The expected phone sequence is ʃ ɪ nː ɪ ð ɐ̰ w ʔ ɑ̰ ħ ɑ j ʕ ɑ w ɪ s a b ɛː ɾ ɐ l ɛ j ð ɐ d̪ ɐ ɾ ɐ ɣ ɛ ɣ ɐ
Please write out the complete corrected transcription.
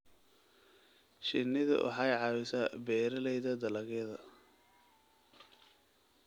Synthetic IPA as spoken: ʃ ɪ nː ɪ ð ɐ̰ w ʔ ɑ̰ ħ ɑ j ʕ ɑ w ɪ s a b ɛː ɾ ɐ l ɛ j ð ɐ d̪ ɐ l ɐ ɣ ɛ ð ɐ